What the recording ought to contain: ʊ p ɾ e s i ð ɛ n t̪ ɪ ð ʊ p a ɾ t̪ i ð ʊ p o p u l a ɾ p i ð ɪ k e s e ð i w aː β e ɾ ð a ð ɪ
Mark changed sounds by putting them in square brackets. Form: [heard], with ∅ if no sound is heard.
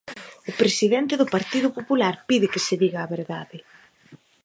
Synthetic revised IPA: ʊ p ɾ e s i ð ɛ n t̪ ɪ ð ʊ p a ɾ t̪ i ð ʊ p o p u l a ɾ p i ð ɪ k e s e ð i [ɣ] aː β e ɾ ð a ð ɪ